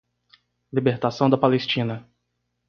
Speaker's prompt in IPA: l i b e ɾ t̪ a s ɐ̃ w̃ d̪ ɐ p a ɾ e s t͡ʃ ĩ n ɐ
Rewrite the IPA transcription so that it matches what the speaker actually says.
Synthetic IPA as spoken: l i b e ɾ t̪ a s ɐ̃ w̃ d̪ ɐ p a l e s t͡ʃ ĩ n ɐ